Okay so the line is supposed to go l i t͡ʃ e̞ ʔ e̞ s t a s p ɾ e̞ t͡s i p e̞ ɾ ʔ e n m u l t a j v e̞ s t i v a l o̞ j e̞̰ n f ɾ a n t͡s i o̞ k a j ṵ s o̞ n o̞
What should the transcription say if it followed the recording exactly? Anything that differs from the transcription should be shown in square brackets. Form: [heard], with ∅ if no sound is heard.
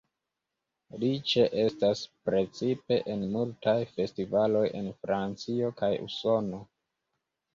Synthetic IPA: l i t͡ʃ e̞ ʔ e̞ s t a s p ɾ e̞ t͡s i p e̞ [∅] ʔ e n m u l t a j [f] e̞ s t i v a l o̞ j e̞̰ n f ɾ a n t͡s i o̞ k a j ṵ s o̞ n o̞